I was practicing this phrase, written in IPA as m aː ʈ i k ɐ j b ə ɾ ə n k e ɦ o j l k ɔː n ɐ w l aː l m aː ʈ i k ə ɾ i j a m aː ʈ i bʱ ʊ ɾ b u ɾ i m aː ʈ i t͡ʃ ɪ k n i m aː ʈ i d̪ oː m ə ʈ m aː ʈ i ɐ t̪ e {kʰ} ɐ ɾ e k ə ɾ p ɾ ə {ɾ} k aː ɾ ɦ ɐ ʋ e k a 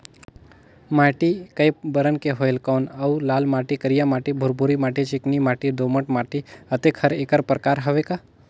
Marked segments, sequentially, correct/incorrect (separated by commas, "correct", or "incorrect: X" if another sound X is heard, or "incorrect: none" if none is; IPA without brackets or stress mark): correct, incorrect: none